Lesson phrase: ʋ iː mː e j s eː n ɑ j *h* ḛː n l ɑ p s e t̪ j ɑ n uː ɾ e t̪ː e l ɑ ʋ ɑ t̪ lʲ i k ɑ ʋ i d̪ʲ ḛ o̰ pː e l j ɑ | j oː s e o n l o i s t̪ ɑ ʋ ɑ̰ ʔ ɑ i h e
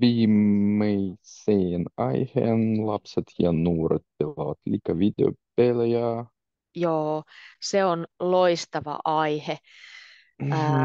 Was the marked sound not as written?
no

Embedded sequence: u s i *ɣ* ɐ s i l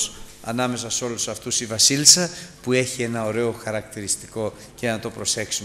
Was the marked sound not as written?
yes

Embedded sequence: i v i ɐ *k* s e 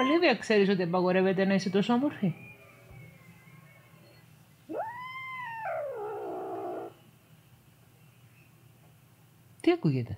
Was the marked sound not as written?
no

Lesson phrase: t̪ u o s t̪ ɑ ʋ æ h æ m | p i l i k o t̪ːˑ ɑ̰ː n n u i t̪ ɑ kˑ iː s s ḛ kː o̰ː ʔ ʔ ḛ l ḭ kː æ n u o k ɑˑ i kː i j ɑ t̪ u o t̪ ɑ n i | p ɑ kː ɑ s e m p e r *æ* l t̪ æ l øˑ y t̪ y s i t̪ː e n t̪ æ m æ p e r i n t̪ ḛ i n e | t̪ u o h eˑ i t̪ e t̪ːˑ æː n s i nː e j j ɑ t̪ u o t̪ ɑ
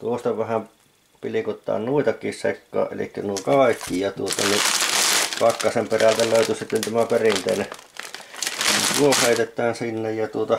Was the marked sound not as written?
no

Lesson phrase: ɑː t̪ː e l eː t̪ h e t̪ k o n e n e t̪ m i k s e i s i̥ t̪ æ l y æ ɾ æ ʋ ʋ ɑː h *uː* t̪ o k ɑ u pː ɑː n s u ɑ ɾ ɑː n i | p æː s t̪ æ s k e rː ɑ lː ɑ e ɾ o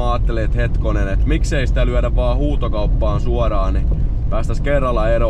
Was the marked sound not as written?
no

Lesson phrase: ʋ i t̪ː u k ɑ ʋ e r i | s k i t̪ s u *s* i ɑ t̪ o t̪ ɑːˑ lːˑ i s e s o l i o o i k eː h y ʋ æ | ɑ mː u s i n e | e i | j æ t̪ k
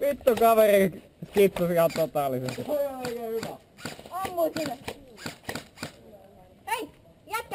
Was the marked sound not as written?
no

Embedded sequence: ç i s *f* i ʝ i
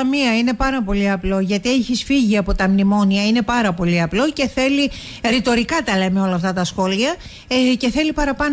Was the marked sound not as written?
no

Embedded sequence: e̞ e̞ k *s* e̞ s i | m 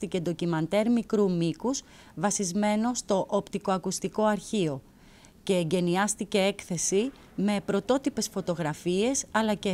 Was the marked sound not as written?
yes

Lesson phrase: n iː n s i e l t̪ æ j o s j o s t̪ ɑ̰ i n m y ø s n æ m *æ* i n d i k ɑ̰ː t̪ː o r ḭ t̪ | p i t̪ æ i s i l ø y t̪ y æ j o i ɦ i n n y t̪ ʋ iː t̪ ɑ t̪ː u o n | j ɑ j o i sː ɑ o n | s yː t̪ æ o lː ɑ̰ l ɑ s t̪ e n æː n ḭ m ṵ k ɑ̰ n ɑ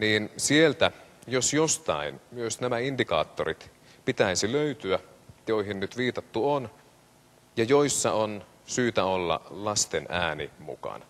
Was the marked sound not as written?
no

